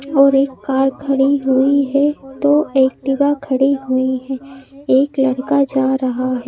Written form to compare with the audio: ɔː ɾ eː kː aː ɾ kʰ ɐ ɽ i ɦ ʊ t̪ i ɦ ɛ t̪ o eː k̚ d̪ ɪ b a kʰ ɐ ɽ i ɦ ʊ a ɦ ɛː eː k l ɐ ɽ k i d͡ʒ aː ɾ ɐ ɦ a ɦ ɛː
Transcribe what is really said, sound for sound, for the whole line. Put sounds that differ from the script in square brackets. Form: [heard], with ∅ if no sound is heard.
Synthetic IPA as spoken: ɔː ɾ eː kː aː ɾ kʰ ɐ ɽ i ɦ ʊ [∅] i ɦ ɛ t̪ o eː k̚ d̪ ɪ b a kʰ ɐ ɽ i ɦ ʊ [i] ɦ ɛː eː k l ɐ ɽ k [a] d͡ʒ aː ɾ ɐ ɦ a ɦ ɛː